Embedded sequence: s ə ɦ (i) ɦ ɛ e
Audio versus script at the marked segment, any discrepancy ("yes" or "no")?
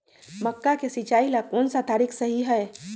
no